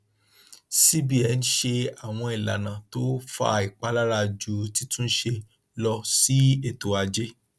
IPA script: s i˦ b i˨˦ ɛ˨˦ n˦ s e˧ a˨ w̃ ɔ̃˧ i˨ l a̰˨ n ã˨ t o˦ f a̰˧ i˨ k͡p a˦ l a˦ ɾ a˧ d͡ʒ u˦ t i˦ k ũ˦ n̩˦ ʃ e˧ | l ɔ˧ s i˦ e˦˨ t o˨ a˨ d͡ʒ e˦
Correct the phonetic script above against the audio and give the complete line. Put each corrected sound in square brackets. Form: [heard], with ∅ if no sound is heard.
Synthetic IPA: s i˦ b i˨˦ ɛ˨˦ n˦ [ʃ] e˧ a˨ w̃ ɔ̃˧ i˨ l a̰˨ n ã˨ t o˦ f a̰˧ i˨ k͡p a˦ l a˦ ɾ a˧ d͡ʒ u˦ t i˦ [t] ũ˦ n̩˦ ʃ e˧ | l ɔ˧ s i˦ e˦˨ t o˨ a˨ d͡ʒ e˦